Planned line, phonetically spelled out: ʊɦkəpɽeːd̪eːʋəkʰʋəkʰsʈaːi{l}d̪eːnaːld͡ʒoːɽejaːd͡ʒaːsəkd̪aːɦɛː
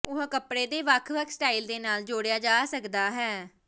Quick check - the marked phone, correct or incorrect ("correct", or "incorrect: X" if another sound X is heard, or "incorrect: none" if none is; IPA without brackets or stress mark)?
correct